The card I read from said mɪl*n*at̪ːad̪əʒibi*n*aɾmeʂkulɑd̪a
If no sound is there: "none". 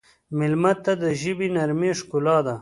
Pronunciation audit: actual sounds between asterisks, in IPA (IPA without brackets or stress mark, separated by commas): m, n